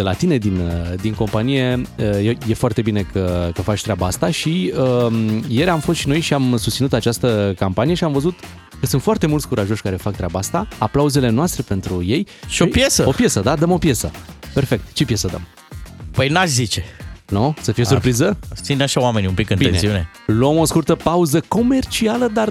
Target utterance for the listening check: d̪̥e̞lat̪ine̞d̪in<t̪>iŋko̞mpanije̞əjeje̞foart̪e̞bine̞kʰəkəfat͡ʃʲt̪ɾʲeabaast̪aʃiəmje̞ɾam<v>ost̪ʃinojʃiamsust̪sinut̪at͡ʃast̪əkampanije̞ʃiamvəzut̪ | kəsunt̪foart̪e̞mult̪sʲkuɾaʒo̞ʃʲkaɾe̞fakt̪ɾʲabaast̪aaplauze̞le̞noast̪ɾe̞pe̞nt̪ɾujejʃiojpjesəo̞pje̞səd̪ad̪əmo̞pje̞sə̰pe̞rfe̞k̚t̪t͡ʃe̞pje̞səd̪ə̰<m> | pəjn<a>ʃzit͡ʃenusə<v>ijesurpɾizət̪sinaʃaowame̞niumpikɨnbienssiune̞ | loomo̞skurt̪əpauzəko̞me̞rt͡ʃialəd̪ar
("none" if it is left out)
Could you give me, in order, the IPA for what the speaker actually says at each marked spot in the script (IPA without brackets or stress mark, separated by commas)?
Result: d̪, f, m, a, f